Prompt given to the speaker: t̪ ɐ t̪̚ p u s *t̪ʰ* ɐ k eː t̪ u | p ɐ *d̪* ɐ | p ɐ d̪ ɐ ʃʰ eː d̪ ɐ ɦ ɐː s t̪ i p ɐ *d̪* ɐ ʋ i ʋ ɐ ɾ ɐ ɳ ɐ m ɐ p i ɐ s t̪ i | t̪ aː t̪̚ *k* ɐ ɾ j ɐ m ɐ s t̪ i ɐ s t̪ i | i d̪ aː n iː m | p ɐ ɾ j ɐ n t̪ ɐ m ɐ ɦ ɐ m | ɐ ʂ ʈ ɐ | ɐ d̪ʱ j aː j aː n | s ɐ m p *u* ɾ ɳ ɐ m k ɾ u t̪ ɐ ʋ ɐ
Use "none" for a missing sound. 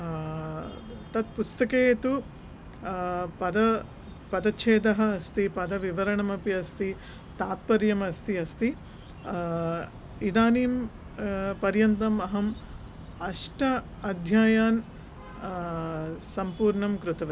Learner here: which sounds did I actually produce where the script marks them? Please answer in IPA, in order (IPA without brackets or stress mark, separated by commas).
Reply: t̪, d̪, d̪, p, uː